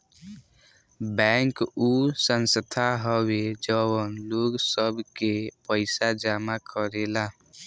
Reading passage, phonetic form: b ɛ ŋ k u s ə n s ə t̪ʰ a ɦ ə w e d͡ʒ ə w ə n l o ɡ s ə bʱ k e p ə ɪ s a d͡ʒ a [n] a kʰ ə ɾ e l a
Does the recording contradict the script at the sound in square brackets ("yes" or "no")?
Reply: yes